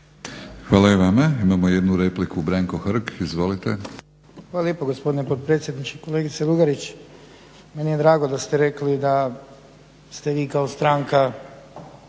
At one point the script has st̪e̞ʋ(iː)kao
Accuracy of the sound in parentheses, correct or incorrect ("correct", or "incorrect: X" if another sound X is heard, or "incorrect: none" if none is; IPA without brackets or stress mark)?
correct